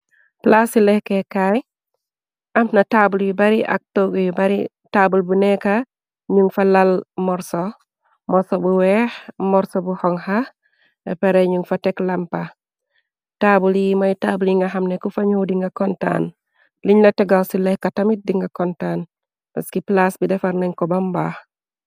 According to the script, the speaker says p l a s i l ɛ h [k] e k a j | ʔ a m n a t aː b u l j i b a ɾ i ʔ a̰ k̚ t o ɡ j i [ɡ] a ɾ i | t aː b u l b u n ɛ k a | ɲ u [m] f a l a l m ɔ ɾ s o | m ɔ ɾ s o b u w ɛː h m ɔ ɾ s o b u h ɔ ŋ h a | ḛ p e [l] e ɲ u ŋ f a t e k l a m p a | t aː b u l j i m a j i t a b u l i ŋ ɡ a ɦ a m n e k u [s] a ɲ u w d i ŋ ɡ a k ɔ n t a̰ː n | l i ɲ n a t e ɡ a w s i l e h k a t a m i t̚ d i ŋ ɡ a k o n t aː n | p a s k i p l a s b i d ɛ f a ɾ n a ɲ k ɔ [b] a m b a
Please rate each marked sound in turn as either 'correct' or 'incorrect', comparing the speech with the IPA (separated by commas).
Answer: correct, incorrect, incorrect, incorrect, incorrect, correct